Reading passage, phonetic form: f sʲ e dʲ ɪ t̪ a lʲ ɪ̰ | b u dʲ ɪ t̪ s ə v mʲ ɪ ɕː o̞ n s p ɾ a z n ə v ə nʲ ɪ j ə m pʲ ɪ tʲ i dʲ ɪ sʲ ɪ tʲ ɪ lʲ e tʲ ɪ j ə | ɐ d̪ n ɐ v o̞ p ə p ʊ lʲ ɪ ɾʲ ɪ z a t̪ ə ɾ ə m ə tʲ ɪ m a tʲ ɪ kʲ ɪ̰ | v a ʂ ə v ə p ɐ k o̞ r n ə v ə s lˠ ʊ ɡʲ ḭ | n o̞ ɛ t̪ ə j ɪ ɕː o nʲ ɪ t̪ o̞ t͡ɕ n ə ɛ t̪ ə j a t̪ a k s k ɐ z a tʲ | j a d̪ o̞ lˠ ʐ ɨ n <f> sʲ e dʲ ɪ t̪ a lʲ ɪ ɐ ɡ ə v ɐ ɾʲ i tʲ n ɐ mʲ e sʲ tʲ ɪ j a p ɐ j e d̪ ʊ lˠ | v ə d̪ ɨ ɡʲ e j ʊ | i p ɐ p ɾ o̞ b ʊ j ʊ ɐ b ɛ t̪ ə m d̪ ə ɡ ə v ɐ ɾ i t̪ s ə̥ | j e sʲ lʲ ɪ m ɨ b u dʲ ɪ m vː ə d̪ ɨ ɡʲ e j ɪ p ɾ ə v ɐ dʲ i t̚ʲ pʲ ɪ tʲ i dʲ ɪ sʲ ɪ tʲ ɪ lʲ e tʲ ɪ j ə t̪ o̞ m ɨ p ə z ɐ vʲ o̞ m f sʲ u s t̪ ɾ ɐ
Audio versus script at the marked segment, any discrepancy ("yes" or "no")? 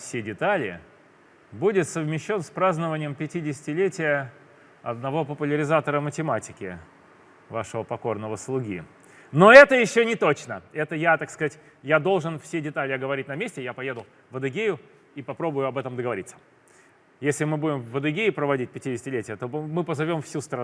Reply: no